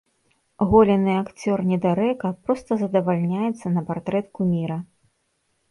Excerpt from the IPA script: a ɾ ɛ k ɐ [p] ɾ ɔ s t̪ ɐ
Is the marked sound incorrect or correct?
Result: correct